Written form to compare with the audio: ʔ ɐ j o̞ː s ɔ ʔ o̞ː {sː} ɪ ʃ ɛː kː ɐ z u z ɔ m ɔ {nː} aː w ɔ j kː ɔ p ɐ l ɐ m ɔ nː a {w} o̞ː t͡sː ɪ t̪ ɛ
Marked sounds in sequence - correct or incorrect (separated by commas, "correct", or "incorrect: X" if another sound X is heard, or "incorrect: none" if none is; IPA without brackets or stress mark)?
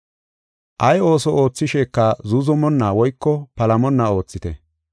incorrect: t͡sː, correct, incorrect: none